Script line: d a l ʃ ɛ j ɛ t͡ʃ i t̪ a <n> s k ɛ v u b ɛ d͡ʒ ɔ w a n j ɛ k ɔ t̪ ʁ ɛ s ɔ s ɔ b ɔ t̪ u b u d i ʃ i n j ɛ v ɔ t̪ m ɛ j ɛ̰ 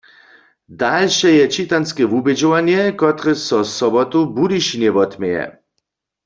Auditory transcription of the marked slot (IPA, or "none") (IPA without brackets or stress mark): n